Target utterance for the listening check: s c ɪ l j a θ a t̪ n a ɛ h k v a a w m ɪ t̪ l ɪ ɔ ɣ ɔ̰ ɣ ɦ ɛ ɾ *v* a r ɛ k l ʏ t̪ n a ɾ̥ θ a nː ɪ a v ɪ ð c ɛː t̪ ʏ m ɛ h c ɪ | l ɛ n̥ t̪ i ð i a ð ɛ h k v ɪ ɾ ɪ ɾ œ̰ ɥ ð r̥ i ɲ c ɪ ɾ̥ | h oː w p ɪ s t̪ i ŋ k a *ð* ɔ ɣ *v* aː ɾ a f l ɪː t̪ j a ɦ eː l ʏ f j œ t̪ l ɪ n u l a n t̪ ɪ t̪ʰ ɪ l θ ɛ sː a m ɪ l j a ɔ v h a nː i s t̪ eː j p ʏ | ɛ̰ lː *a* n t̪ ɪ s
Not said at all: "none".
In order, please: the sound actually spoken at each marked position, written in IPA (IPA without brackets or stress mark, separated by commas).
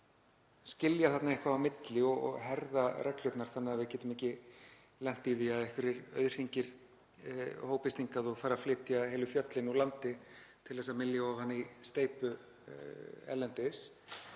ð, ð, f, ɛ